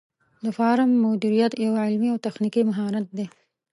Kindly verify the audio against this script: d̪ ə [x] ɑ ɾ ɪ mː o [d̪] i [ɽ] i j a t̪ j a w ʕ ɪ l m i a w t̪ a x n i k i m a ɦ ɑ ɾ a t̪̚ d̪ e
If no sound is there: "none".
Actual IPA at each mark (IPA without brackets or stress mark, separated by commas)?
f, d̪, ɾ